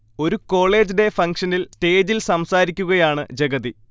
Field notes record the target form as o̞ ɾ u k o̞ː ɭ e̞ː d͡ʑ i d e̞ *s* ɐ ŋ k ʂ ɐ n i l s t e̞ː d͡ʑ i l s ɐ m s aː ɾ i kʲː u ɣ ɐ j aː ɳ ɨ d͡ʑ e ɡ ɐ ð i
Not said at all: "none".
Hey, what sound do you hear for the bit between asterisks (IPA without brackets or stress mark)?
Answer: f